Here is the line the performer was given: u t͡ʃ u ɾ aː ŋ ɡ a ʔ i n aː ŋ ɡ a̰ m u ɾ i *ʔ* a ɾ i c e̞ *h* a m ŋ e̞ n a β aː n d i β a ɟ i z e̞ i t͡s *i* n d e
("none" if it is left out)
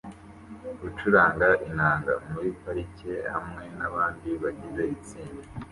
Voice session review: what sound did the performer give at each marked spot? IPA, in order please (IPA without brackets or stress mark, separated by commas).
p, h, iː